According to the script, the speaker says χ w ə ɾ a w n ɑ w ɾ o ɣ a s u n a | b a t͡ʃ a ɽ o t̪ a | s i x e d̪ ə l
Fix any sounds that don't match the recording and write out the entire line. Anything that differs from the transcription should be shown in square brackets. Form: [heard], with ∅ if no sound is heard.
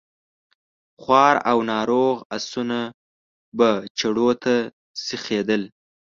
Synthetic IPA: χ w [ɑ] ɾ a w n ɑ [∅] ɾ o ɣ a s u n a | b a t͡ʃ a ɽ o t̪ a | s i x e d̪ ə l